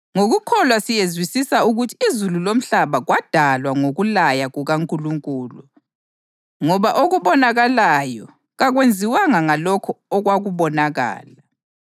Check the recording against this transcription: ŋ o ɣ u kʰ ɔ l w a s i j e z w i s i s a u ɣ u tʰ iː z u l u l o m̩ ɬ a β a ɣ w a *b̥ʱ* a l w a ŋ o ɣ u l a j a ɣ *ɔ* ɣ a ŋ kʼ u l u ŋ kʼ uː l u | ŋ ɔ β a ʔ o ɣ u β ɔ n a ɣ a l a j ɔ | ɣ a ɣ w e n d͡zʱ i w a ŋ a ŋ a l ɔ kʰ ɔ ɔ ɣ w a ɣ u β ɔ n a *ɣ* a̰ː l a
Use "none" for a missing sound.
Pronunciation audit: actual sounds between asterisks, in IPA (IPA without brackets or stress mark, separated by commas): d̥ʱ, u, ɣ